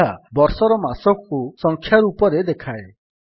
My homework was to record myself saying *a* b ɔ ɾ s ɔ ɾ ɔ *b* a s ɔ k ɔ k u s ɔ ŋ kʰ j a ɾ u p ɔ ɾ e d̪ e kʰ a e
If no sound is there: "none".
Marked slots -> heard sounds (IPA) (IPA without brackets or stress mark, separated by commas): a, m